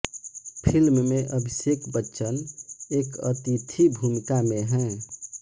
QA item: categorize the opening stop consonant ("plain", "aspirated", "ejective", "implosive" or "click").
aspirated